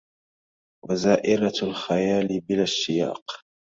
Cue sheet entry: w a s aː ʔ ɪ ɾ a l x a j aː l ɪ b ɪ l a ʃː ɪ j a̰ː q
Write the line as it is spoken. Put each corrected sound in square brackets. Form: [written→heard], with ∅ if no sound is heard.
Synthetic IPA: w a [s→z] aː ʔ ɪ ɾ a l x a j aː l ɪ b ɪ l a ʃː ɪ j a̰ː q